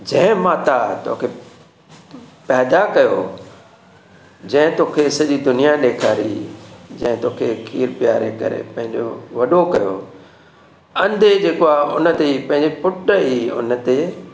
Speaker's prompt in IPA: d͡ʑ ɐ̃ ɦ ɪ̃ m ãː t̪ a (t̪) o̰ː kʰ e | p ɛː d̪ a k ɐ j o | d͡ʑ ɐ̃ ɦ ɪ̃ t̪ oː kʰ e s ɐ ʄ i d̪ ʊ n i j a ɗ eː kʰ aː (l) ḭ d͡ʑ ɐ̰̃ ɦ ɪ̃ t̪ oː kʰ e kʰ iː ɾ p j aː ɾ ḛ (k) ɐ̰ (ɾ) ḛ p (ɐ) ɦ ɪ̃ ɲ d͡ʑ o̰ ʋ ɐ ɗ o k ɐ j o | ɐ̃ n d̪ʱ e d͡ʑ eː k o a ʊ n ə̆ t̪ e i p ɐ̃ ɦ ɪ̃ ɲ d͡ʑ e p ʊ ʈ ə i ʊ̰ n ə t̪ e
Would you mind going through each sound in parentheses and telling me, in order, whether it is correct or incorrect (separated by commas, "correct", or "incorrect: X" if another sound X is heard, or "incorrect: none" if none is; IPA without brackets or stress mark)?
correct, incorrect: ɾ, correct, correct, incorrect: ɐ̃